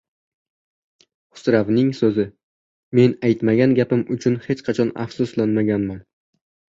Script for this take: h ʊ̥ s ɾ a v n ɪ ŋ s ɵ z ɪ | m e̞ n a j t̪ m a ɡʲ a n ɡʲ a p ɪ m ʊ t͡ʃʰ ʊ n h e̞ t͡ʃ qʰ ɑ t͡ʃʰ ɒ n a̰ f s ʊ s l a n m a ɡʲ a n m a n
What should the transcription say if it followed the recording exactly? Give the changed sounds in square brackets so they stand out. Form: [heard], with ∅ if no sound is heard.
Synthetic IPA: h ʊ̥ s ɾ a v n ɪ ŋ s ɵ z ɪ | m e̞ n a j t̪ m a ɡʲ a n ɡʲ a p ɪ m ʊ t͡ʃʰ ʊ n h e̞ t͡ʃ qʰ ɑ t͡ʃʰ ɒ n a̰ f s ʊ s l a n m a ɡʲ a n m a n